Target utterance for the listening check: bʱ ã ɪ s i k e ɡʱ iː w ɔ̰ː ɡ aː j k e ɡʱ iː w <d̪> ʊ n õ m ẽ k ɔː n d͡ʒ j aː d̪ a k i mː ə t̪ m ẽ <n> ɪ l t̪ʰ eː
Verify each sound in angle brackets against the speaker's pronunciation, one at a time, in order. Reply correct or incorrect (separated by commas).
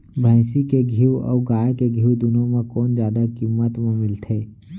correct, incorrect